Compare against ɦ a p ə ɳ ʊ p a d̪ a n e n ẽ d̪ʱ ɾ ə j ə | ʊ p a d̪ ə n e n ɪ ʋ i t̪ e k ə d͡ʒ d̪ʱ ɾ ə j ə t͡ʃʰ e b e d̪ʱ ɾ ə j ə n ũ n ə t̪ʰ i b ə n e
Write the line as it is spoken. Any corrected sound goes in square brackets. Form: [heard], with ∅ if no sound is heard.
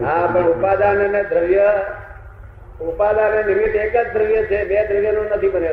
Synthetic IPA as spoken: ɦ a p ə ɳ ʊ p a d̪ a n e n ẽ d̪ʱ ɾ ə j ə | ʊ p a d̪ [a] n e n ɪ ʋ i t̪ e k ə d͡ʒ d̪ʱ ɾ ə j ə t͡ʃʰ e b e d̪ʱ ɾ ə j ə n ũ n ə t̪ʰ i b ə n e